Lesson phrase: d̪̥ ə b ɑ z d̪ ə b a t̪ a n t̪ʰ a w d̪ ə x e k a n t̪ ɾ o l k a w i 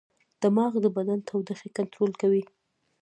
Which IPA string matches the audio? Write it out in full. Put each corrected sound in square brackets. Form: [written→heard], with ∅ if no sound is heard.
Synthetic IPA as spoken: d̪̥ ə [b→m] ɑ [z→ɣ] d̪ ə b a [t̪→d̪] a n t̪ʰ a w d̪ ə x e k a n t̪ ɾ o l k a w i